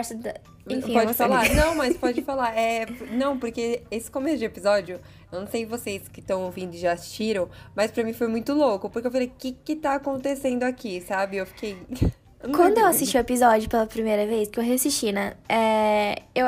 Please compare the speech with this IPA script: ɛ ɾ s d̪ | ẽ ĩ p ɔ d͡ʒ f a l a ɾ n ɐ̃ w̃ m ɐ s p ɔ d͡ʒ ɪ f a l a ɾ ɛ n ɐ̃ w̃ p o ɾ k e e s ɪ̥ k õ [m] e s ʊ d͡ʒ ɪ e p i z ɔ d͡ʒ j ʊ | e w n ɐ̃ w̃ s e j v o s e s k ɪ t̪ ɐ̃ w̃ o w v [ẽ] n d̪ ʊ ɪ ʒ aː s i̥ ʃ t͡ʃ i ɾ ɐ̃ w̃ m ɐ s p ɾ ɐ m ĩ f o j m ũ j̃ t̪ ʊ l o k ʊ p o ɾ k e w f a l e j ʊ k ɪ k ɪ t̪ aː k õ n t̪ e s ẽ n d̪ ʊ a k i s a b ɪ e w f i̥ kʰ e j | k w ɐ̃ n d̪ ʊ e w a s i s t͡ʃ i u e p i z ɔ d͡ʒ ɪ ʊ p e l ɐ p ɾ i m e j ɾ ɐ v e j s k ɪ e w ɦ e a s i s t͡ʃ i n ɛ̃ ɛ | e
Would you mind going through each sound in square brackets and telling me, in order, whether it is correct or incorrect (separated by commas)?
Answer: correct, incorrect